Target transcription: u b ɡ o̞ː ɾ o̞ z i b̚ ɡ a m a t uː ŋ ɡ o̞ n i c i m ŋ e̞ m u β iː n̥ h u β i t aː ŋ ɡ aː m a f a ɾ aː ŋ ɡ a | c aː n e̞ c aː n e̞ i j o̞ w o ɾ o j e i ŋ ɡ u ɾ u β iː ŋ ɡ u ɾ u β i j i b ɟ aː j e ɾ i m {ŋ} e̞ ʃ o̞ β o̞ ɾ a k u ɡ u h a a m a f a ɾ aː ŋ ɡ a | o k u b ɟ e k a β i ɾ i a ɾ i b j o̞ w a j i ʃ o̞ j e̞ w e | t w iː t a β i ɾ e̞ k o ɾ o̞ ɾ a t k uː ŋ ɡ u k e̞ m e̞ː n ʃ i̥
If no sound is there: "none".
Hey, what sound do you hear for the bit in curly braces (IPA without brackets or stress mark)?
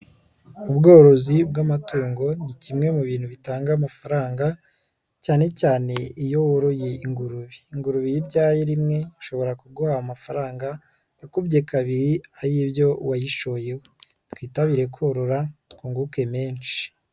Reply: ŋ